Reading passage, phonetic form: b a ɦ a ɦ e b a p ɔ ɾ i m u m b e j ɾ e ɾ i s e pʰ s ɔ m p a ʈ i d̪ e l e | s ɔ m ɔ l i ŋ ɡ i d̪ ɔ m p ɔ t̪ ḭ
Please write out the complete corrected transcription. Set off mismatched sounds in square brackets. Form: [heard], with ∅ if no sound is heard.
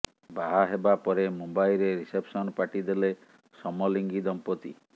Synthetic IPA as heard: b a ɦ a ɦ e b a p ɔ ɾ [e] m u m b [a] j ɾ e ɾ i s e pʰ s ɔ [n] p a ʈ i d̪ e l e | s ɔ m ɔ l i ŋ ɡ i d̪ ɔ m p ɔ t̪ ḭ